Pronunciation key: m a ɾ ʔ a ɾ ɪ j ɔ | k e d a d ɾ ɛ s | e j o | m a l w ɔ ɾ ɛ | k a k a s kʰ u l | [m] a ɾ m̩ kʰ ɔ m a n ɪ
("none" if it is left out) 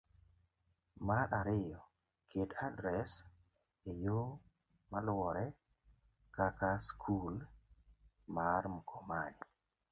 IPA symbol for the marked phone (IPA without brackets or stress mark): m